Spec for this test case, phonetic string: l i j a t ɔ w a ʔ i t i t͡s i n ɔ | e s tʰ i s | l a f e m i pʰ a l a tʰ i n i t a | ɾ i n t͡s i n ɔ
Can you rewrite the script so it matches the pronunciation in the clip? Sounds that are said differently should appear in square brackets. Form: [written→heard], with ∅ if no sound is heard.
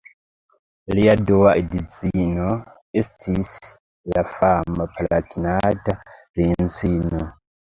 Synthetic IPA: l i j a [t→d] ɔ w a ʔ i [t→d] i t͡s i n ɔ | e s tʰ i s | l a f [e→a] m [i→a] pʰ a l a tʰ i n [i→a] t a | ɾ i n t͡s i n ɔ